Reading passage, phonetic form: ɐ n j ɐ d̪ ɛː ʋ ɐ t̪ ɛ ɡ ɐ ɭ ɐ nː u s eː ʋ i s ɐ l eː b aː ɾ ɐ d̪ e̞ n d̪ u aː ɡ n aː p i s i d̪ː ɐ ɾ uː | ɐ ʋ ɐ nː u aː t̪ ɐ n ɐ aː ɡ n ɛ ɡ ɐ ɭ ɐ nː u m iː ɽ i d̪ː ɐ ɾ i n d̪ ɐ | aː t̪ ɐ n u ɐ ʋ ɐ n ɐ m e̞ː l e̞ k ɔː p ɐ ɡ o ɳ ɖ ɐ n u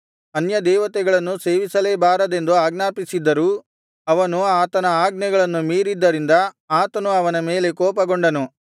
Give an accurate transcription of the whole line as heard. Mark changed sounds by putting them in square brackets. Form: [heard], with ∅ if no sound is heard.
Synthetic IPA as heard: ɐ n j ɐ d̪ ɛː ʋ ɐ t̪ ɛ ɡ ɐ ɭ ɐ nː u s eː ʋ i s ɐ l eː b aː ɾ ɐ d̪ e̞ n d̪ u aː ɡ n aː p i s i d̪ː ɐ ɾ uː | ɐ ʋ ɐ [n] u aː t̪ ɐ n ɐ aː ɡ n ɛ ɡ ɐ ɭ ɐ nː u m iː [ɾ] i d̪ː ɐ ɾ i n d̪ ɐ | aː t̪ ɐ n u ɐ ʋ ɐ n ɐ m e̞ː l e̞ k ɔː p ɐ ɡ o ɳ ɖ ɐ n u